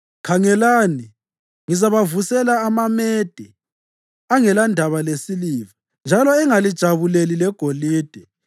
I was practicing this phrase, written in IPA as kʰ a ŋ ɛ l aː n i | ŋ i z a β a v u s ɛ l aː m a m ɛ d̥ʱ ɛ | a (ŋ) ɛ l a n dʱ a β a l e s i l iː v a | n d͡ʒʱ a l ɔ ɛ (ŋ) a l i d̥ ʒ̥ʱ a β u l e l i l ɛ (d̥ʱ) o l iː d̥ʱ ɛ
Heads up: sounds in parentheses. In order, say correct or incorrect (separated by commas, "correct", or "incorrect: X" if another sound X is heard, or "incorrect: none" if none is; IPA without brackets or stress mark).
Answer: correct, correct, incorrect: ɡ̥ʱ